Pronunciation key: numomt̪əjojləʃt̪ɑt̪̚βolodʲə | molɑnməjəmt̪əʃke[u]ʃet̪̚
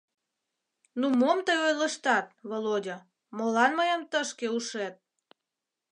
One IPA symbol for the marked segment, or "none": u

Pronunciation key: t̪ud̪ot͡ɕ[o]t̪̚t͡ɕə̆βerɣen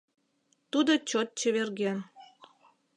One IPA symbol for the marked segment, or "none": o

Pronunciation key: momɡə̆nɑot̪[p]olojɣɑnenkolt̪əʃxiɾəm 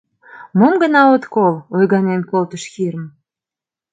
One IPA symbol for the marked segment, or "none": k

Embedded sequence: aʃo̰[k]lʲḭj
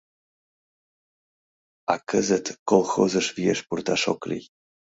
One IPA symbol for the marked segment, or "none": k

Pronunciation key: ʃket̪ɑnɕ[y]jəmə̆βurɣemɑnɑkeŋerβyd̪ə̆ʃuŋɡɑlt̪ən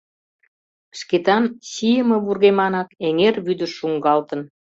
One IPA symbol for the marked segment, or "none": i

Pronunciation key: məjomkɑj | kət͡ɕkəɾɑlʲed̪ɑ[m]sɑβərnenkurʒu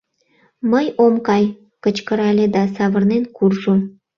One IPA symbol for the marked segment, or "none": none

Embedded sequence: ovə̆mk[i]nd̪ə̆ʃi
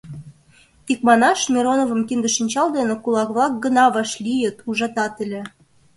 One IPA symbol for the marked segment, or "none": i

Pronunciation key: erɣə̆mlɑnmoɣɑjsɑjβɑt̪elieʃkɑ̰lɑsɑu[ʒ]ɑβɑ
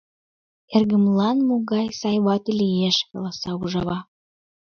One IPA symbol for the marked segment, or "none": ʒ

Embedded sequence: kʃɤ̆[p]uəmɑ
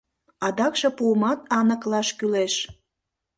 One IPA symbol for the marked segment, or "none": p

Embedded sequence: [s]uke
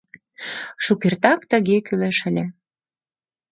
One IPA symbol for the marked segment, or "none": ʃ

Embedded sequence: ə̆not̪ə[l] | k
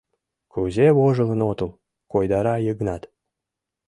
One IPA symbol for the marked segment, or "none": l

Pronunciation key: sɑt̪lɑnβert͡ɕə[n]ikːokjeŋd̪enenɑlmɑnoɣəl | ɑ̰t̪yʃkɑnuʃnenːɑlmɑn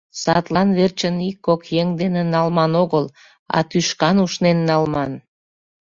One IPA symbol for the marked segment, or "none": n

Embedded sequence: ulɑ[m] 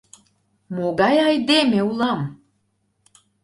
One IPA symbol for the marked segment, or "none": m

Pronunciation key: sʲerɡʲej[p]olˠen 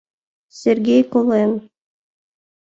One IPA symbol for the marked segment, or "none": k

